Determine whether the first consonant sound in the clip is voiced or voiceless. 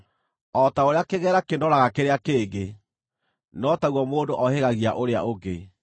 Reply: voiceless